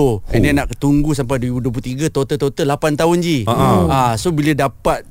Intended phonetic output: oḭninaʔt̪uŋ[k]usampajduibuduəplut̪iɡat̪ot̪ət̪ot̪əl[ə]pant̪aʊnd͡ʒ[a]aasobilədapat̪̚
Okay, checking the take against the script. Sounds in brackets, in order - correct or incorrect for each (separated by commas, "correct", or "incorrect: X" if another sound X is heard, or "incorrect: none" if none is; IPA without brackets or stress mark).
incorrect: ɡ, incorrect: a, incorrect: i